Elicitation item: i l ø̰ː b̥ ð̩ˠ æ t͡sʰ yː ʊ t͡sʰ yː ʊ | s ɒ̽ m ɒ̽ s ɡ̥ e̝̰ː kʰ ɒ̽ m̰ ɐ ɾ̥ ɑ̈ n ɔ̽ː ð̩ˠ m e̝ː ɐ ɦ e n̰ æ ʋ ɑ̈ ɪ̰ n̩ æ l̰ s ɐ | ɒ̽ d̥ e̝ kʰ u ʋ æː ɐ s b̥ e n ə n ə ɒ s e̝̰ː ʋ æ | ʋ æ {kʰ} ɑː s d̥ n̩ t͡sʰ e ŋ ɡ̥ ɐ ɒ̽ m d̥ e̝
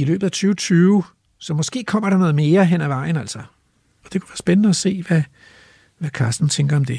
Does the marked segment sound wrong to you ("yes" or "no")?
no